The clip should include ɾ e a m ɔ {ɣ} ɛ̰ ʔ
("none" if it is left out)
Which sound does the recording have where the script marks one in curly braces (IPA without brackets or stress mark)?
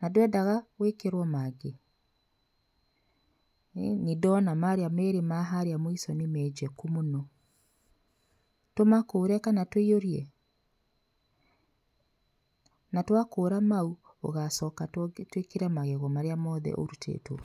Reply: ð